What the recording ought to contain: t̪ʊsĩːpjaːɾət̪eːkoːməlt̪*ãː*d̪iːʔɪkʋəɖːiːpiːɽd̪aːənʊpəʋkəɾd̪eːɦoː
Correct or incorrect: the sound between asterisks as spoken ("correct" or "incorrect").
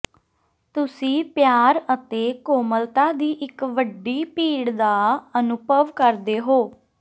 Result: incorrect